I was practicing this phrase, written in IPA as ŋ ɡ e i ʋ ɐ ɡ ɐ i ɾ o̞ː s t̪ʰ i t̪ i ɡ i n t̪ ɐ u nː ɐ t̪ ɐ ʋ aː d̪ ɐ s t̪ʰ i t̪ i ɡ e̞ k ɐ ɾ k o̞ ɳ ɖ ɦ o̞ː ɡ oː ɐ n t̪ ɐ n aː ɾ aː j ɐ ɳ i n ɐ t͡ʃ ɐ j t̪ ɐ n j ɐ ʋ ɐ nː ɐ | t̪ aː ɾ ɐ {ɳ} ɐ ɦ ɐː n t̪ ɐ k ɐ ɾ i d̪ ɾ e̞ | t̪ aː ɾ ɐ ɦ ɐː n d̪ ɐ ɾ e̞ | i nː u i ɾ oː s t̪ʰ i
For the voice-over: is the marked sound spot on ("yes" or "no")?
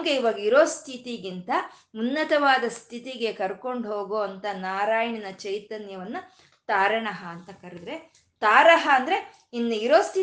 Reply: yes